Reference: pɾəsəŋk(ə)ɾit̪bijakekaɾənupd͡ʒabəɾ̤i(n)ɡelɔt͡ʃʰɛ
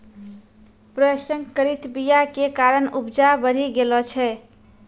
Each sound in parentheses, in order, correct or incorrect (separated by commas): correct, incorrect